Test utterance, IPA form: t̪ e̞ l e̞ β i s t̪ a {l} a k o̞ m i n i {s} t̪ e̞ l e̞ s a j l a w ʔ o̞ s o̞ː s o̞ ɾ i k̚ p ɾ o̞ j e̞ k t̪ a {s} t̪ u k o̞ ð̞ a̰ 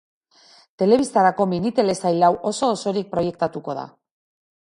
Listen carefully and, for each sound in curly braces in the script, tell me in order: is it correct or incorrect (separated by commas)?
incorrect, incorrect, incorrect